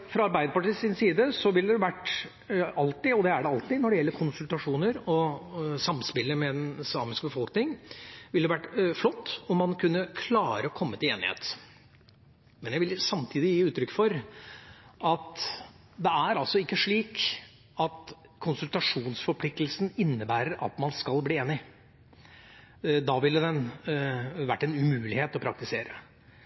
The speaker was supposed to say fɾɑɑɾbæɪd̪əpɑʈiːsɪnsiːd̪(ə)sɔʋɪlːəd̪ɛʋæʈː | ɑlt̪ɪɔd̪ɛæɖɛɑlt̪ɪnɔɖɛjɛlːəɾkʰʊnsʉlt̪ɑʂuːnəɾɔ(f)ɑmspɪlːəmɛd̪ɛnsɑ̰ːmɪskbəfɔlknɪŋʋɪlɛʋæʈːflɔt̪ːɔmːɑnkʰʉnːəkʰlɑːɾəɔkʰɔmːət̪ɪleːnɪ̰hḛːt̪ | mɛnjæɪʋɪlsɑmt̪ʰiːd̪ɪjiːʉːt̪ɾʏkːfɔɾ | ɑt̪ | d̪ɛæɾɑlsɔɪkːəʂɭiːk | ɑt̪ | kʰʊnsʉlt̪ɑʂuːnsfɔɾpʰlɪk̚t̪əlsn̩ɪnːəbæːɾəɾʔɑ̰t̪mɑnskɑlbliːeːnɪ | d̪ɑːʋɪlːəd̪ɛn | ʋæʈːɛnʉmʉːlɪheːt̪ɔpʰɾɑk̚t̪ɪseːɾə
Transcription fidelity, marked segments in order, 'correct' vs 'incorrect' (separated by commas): correct, incorrect